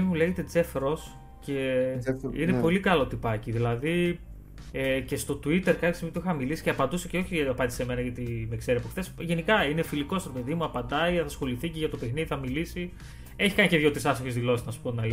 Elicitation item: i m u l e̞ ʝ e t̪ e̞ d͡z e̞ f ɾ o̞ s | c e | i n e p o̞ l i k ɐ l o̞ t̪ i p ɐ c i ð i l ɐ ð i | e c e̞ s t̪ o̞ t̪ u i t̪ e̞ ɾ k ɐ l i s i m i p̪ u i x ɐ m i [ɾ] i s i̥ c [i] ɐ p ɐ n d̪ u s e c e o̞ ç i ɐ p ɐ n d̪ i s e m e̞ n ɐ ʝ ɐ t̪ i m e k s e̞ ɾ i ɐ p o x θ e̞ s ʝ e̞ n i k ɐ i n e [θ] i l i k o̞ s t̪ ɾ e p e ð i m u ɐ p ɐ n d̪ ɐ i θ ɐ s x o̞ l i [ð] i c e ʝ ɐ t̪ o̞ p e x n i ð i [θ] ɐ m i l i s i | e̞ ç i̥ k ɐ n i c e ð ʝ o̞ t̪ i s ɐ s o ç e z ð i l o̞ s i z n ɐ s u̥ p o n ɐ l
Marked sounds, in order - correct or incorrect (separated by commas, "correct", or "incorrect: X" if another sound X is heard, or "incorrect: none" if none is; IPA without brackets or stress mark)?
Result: incorrect: l, incorrect: e, incorrect: f, incorrect: θ, correct